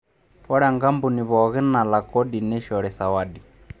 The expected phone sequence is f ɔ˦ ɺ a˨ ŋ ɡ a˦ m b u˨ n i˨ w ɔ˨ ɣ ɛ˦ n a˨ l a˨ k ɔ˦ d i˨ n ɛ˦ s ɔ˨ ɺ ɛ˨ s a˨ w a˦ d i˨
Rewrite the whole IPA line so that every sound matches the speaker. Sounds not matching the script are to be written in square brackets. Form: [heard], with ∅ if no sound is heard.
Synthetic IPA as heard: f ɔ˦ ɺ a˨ ŋ ɡ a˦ m b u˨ n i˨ [β] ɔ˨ ɣ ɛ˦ n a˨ l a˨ k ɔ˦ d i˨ n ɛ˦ [ʃ] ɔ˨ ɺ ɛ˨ s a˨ w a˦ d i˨